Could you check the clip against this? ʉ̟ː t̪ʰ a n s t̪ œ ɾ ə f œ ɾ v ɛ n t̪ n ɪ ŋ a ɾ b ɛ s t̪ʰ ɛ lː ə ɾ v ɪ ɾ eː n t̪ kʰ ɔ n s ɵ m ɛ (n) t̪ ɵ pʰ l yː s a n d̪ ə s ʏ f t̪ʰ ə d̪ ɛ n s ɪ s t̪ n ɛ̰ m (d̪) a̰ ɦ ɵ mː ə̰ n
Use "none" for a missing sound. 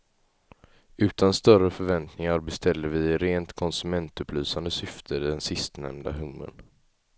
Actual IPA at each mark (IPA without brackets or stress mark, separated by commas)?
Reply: n, d̪